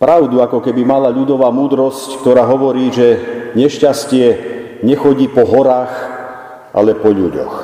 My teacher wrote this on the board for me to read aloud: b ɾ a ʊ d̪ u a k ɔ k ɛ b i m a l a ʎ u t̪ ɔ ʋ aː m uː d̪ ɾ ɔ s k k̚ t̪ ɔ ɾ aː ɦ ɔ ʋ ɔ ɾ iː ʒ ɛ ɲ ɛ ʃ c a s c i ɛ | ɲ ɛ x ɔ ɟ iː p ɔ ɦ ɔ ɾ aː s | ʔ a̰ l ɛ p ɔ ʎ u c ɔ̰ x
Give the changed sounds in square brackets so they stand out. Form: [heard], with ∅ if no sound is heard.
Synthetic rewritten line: [p] ɾ a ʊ d̪ u a k ɔ k ɛ b i m a l a ʎ u [d̪] ɔ ʋ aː m uː d̪ ɾ ɔ s [c] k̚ t̪ ɔ ɾ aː ɦ ɔ ʋ ɔ ɾ iː ʒ ɛ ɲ ɛ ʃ c a s c [ɪ] ɛ | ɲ ɛ x ɔ ɟ iː p ɔ ɦ ɔ ɾ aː [x] | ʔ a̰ l ɛ p ɔ ʎ u [ɟ] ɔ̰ x